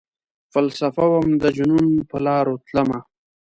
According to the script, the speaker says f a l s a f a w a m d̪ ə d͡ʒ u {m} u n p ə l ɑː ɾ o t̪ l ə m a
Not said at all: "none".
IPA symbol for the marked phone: n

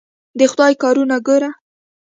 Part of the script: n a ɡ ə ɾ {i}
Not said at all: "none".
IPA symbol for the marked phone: a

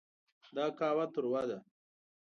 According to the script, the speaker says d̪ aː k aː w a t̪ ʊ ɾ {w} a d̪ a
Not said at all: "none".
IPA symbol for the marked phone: w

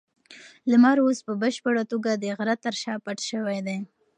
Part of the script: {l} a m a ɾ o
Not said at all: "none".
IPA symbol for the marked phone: l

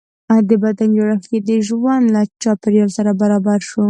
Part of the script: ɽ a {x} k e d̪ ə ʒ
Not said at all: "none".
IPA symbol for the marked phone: x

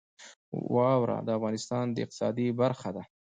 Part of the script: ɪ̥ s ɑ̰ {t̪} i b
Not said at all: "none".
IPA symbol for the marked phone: d̪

